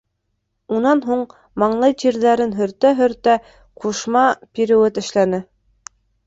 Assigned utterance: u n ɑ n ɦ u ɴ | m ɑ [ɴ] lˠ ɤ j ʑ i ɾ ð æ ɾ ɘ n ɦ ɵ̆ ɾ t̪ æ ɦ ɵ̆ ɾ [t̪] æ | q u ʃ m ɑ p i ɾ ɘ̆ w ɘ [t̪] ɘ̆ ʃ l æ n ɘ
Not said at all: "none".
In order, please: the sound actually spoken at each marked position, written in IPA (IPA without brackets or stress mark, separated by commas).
ɴ, t̪, t̪